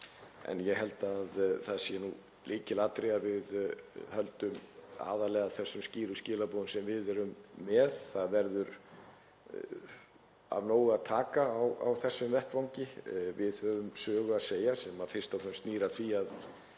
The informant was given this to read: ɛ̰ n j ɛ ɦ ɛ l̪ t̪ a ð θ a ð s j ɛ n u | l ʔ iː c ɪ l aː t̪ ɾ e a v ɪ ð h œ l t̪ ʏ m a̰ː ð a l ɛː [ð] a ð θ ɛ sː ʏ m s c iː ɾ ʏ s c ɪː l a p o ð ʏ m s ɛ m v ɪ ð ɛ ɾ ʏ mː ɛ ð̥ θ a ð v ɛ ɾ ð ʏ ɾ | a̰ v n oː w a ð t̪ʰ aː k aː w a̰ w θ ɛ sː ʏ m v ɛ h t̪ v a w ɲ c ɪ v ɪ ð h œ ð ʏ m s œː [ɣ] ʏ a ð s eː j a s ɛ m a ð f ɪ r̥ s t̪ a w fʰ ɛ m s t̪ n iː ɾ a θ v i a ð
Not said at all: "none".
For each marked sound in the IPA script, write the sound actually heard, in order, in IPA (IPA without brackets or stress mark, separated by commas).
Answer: ɣ, ɣ